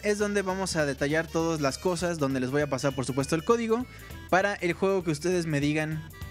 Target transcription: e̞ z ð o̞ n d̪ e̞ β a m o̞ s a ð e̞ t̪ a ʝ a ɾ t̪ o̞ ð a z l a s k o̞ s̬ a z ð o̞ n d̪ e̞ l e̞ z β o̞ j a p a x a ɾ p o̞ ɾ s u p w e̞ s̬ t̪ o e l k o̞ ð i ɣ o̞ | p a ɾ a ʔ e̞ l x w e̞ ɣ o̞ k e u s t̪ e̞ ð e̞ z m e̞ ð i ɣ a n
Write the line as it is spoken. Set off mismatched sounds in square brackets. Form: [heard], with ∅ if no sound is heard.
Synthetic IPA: e̞ z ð o̞ n d̪ e̞ β a m o̞ s a ð e̞ t̪ a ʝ a ɾ t̪ o̞ ð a z l a s k o̞ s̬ a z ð o̞ n d̪ e̞ l e̞ z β o̞ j a p a [s] a ɾ p o̞ ɾ s u p w e̞ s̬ t̪ o e l k o̞ ð i ɣ o̞ | p a ɾ a ʔ e̞ l x w e̞ ɣ o̞ k e u s t̪ e̞ ð e̞ z m e̞ ð i ɣ a n